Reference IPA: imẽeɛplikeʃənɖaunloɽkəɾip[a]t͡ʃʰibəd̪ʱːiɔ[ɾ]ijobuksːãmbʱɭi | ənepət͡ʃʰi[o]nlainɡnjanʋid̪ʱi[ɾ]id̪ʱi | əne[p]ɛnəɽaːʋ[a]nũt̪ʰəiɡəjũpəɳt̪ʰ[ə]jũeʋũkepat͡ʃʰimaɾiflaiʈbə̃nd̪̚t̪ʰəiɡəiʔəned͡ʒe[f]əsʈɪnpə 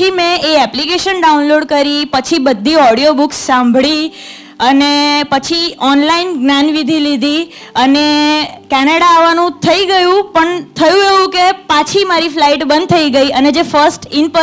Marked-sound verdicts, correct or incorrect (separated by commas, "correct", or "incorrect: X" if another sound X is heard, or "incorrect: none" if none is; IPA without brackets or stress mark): incorrect: ə, incorrect: ɽ, incorrect: ɔ, incorrect: l, incorrect: k, correct, correct, correct